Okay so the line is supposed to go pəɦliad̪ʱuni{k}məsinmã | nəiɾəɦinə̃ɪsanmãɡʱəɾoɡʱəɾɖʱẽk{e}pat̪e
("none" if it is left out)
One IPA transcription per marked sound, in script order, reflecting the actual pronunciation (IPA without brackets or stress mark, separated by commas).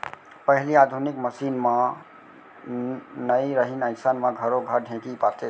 k, i